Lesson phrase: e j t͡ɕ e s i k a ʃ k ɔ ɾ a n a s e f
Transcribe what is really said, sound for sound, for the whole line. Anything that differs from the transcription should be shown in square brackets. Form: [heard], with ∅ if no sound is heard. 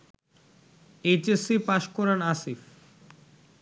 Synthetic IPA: e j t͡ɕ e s i [p] a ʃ k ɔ ɾ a n a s [i] f

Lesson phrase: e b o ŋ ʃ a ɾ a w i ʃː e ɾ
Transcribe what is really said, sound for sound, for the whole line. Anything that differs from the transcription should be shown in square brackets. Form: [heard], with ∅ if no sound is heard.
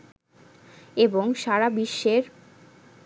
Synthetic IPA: e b o ŋ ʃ a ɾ a [b] i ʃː e ɾ

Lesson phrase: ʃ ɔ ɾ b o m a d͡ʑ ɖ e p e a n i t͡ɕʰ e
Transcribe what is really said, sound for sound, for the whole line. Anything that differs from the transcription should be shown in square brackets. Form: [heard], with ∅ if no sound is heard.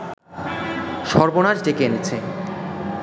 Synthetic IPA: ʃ ɔ ɾ b o [n] a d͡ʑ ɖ e [k] e [e] n [e] t͡ɕʰ e

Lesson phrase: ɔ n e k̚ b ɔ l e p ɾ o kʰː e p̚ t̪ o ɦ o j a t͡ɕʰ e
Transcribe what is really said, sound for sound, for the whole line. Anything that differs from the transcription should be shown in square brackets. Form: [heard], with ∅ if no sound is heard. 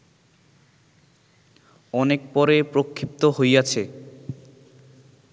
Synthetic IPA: ɔ n e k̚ [p] ɔ [ɾ] e p ɾ o kʰː [i] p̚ t̪ o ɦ o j a t͡ɕʰ e

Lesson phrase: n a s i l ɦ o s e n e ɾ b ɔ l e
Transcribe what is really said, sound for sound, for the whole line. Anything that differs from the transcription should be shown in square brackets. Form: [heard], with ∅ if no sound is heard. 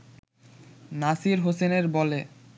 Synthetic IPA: n a s i [ɾ] ɦ o s e n e ɾ b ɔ l e

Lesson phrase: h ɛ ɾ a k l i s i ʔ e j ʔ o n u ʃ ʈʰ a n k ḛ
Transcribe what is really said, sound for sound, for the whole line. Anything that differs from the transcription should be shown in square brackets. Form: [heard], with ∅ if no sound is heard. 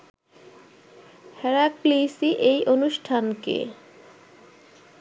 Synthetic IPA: h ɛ ɾ a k l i s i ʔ e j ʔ o n u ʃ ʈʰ a n k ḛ

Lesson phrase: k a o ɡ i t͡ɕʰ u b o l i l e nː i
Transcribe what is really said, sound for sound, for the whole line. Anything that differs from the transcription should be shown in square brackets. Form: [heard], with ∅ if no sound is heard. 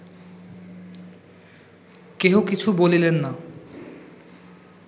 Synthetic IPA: k [e] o [k] i t͡ɕʰ u b o l i l e nː [a]

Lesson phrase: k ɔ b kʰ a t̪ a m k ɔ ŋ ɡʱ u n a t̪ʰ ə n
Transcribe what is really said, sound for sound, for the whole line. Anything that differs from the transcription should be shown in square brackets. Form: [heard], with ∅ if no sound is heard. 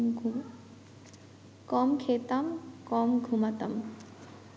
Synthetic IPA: k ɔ [m] kʰ [e] t̪ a m k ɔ [m] ɡʱ u [m] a [t̪] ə [m]

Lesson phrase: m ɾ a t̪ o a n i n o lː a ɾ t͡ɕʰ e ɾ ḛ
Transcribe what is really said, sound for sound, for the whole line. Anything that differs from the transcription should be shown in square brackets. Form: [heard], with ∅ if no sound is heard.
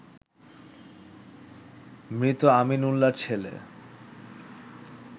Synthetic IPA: m ɾ [i] t̪ o a [m] i n [u] lː a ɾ t͡ɕʰ e [l] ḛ

